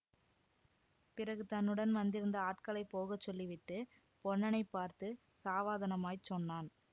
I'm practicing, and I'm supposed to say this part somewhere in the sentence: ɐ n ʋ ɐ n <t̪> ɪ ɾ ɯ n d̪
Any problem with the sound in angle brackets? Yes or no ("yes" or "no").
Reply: yes